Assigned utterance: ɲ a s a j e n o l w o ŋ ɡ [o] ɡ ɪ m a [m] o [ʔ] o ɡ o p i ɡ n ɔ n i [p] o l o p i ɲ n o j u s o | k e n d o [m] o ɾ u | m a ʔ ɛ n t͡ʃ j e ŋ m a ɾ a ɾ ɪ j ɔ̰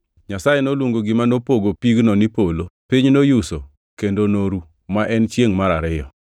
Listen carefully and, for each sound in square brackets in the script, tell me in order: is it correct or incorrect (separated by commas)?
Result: correct, incorrect, incorrect, correct, incorrect